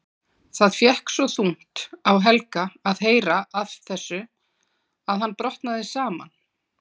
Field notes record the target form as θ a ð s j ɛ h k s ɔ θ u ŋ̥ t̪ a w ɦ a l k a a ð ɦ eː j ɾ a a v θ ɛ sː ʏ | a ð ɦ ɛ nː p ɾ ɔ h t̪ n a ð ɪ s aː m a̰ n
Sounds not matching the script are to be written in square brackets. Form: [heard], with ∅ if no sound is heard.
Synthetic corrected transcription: θ a ð [f] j ɛ h k s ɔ θ u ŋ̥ t̪ a w ɦ [ɛ] l k a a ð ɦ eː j ɾ a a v θ ɛ sː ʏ | a ð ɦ [a] nː p ɾ ɔ h t̪ n a ð ɪ s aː m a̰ n